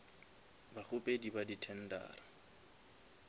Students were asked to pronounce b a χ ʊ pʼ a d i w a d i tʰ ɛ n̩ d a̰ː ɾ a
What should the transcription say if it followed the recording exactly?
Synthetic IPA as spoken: b a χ ʊ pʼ e d i b a d i tʰ ɛ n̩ d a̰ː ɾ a